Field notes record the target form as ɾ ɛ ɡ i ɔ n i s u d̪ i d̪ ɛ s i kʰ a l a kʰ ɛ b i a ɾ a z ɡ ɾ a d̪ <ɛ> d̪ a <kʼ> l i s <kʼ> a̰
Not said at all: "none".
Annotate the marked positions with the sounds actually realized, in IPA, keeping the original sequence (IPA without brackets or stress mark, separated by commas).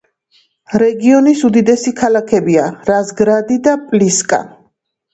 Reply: i, pʼ, kʼ